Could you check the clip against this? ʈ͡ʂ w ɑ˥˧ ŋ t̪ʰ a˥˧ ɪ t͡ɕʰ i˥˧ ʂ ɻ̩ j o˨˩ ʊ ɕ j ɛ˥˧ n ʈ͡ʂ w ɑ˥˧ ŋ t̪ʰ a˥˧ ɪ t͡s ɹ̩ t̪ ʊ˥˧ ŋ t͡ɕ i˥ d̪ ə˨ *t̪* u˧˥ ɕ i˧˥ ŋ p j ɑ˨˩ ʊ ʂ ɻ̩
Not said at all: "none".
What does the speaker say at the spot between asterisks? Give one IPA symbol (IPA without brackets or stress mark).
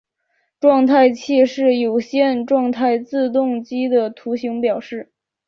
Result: t̪ʰ